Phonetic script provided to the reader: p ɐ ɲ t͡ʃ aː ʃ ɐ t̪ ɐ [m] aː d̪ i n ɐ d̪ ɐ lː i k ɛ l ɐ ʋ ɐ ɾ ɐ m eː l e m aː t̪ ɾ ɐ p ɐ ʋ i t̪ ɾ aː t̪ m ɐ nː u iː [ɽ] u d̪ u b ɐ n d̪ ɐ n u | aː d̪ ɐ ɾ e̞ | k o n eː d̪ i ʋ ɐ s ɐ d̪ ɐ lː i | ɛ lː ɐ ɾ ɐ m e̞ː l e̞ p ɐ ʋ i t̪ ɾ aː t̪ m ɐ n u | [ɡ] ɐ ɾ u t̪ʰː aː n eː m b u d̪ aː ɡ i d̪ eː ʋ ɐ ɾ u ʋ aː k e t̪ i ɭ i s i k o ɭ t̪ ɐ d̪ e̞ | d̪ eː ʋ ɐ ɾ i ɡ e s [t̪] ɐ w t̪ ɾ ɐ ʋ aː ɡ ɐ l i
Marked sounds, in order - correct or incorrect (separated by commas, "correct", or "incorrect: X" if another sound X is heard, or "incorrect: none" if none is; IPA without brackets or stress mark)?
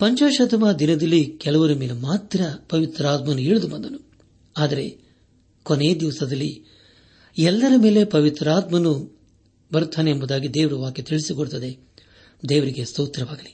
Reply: correct, incorrect: ɭ, incorrect: b, correct